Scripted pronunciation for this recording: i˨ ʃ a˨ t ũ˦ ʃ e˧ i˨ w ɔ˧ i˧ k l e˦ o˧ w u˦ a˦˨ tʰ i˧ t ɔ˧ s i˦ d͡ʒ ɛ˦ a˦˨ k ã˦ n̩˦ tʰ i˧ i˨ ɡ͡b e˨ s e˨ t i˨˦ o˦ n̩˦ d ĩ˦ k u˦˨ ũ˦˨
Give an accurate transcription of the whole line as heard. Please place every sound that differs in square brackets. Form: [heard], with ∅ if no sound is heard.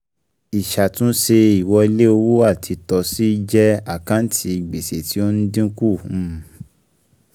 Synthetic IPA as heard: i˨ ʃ a˨ t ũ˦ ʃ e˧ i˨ w ɔ˧ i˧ [∅] l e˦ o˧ w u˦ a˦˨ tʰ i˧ t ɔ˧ s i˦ d͡ʒ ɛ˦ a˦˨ k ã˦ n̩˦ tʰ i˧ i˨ ɡ͡b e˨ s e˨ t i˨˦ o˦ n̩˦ d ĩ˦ k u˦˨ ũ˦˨